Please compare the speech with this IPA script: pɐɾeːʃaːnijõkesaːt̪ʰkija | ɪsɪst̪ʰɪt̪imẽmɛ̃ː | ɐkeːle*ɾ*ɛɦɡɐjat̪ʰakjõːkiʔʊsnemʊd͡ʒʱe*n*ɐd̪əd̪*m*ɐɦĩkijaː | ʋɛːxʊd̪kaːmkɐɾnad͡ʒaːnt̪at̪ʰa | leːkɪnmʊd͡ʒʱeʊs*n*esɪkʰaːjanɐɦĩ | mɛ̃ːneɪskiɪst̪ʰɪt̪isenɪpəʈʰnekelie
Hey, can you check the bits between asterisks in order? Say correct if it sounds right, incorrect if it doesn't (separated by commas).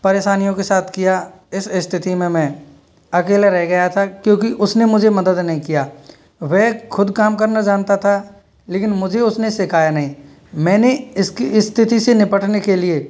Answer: correct, incorrect, incorrect, correct